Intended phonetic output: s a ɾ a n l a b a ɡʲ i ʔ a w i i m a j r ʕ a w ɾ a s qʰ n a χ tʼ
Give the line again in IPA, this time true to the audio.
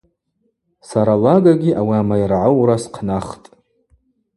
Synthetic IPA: s a ɾ a l a ɡ a ɡʲ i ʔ a w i a m a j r ʕ a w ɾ a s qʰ n a χ tʼ

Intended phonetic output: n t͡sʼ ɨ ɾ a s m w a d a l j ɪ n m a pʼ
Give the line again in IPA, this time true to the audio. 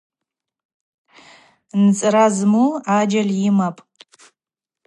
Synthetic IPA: n t͡sʼ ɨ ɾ a z m u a d͡ʒ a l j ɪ m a pʼ

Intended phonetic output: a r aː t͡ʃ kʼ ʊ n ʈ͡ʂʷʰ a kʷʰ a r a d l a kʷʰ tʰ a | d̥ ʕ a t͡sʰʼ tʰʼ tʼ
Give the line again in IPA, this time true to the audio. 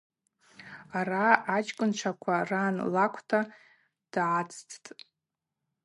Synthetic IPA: a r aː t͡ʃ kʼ ʊ n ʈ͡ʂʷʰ a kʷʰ a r a n l a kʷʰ tʰ a | d̥ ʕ a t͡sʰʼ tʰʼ tʼ

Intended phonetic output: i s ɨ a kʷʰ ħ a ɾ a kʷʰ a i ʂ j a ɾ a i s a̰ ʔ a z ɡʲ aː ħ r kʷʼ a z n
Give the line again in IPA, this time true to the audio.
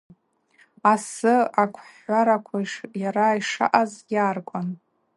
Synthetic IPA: a s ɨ a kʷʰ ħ a ɾ a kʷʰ a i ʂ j a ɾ a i ʂ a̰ ʔ a z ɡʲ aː r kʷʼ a n

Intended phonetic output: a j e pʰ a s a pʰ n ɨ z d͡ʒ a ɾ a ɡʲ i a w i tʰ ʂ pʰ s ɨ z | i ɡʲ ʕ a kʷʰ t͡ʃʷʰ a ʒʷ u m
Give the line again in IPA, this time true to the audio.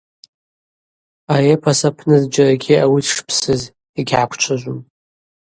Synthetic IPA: a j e pʰ a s a pʰ n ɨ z d͡ʒ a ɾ a ɡʲ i a w i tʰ ʂ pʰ s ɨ z | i ɡʲ ʕ a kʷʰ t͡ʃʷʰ a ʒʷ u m

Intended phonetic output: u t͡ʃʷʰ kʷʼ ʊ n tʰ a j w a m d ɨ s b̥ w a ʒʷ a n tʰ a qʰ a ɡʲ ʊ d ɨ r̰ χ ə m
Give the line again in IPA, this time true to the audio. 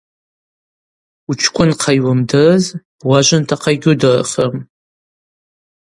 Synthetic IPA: u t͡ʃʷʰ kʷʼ ʊ n qʰ a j w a m d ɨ z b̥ w a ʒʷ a n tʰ a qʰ a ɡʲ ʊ d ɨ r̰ χ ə m

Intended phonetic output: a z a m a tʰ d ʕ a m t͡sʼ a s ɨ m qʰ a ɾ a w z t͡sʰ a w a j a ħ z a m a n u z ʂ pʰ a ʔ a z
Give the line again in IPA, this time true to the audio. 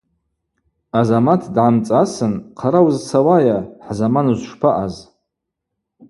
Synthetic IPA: a z a m a tʰ d ʕ a m t͡sʼ a s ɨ n qʰ a ɾ a w z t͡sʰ a w a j a ħ z a m a n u z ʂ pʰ a ʔ a z

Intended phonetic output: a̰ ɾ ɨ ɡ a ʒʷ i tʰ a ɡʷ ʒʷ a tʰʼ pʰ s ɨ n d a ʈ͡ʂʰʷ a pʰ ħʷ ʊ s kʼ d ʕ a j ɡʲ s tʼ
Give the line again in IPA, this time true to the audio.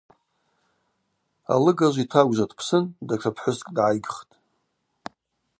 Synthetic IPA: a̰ l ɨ ɡ a ʒʷ i tʰ a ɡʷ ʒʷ a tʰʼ pʰ s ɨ n d a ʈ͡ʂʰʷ a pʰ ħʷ ʊ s kʼ d ʕ a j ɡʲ χ tʼ

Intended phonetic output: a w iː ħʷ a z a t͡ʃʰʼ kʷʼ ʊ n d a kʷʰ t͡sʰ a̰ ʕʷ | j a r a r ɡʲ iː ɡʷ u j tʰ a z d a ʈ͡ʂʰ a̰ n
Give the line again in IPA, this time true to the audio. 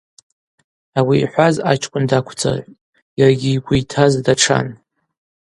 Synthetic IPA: a w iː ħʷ a z a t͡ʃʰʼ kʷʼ ʊ n d a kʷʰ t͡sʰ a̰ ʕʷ | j a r a ɡʲ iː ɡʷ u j tʰ a z d a ʈ͡ʂʰ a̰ n

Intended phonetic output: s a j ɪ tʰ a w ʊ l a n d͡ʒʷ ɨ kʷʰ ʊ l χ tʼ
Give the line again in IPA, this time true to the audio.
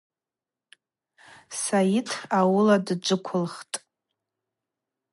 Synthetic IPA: s a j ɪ tʰ a w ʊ l a d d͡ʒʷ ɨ kʷʰ ʊ l χ tʼ

